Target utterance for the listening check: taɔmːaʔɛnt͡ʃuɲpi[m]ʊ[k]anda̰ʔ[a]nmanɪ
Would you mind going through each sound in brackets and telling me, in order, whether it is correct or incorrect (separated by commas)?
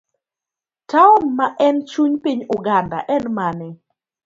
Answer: incorrect, incorrect, incorrect